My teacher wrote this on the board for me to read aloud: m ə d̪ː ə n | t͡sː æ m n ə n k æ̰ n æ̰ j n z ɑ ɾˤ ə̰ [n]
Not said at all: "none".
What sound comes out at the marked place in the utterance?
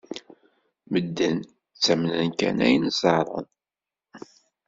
n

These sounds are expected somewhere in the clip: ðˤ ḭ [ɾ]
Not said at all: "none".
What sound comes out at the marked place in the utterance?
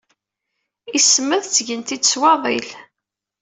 l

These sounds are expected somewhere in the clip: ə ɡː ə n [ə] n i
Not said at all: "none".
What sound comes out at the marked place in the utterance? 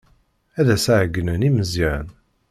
ə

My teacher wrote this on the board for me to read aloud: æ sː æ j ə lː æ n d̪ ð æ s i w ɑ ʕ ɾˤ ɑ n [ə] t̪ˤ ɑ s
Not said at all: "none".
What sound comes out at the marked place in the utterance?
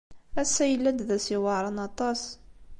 ɑ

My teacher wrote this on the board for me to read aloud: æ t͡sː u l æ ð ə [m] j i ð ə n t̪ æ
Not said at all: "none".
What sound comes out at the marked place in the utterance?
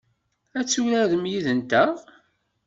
m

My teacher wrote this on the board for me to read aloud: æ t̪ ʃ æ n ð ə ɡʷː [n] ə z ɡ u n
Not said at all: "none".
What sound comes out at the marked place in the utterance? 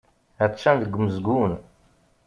m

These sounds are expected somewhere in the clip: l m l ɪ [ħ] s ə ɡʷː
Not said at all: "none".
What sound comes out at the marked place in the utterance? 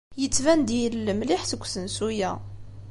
ħ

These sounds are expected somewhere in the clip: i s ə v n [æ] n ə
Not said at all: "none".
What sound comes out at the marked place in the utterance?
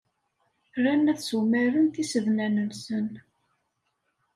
æ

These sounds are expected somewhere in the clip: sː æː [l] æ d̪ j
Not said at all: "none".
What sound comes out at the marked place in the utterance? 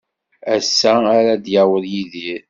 ɾ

